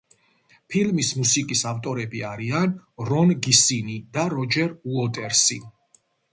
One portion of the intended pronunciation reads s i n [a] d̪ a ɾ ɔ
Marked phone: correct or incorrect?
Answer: incorrect